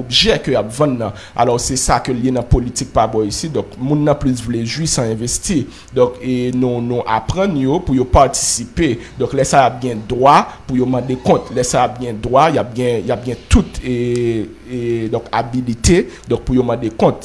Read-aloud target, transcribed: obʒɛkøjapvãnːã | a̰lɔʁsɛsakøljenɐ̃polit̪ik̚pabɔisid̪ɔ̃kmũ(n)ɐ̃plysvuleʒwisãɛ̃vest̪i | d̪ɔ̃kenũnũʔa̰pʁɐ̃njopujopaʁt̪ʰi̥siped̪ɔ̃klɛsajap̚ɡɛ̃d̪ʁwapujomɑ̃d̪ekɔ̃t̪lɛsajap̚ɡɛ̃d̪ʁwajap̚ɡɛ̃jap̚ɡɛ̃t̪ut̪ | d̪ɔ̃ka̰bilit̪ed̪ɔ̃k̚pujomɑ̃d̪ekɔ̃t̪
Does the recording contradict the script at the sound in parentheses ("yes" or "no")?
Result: yes